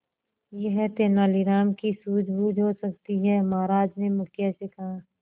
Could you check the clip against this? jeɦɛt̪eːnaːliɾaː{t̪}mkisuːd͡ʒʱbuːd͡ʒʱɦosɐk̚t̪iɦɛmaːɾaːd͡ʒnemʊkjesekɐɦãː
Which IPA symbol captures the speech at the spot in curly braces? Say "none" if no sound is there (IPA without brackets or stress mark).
none